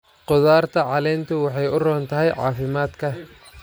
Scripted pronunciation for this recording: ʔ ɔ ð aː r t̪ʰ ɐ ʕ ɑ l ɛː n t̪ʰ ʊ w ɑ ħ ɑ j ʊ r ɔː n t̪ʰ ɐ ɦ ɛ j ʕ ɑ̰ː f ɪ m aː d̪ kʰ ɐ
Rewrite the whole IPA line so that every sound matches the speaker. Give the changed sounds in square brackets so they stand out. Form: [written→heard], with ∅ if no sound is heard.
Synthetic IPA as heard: [ʔ→q] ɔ ð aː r t̪ʰ ɐ ʕ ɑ l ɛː n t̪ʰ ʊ w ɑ ħ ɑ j ʊ r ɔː n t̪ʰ ɐ ɦ ɛ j ʕ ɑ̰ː f ɪ m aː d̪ kʰ ɐ